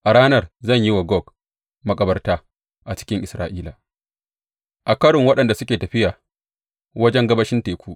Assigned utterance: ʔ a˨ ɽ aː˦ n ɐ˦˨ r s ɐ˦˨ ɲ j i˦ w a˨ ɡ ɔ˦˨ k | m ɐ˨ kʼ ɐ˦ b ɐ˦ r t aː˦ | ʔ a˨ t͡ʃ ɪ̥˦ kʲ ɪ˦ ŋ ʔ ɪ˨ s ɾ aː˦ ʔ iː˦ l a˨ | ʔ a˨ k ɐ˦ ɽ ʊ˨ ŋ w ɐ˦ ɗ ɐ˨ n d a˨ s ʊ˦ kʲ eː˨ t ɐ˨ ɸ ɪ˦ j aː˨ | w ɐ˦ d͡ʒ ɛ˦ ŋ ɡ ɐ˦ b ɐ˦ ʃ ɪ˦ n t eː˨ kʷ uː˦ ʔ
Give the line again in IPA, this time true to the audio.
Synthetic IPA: ʔ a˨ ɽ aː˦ n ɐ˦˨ r z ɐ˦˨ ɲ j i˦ w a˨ ɡ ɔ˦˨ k | m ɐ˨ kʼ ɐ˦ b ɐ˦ r t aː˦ | ʔ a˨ t͡ʃ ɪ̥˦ kʲ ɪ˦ ŋ ʔ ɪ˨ s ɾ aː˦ ʔ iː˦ l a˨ | ʔ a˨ k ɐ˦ ɽ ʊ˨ ŋ w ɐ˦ ɗ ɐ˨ n d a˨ s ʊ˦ kʲ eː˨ t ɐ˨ ɸ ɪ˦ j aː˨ | w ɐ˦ d͡ʒ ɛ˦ ŋ ɡ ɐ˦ b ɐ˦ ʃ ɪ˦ n t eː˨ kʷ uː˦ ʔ